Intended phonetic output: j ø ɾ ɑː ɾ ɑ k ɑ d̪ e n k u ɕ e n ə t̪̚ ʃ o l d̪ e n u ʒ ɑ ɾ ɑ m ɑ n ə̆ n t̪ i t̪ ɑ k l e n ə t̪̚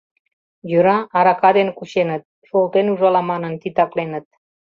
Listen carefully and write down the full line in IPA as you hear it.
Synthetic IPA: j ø ɾ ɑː ɾ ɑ k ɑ d̪ e n k u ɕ e n ə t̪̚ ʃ o l t̪ e n u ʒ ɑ l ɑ m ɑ n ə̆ n t̪ i t̪ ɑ k l e n ə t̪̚